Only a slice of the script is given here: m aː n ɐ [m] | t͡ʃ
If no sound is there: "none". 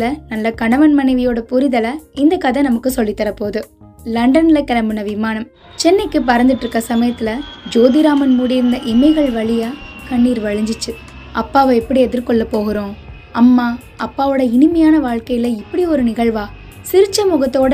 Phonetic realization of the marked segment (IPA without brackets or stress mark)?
m